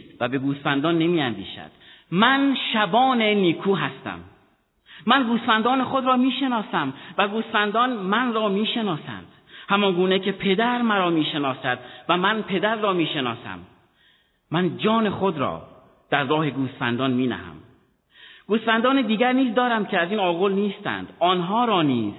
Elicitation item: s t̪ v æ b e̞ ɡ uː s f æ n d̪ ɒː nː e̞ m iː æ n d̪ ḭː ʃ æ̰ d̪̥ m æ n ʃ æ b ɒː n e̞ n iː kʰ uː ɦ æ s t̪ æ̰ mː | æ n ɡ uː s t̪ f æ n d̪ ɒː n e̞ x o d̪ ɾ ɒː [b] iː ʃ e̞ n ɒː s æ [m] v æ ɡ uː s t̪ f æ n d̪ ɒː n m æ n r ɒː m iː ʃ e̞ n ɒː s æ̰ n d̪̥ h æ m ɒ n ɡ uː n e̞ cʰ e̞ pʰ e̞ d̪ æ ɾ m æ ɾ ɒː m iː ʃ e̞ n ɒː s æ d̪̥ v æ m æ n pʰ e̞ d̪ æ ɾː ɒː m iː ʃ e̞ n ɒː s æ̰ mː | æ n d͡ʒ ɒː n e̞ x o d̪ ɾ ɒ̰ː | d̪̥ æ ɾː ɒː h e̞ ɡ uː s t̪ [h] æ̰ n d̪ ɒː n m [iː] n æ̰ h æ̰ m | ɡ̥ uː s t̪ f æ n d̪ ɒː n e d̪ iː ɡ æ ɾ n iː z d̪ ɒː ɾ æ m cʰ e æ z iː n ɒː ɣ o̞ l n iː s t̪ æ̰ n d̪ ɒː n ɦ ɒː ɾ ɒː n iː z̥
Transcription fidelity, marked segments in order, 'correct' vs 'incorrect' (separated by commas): incorrect, correct, incorrect, correct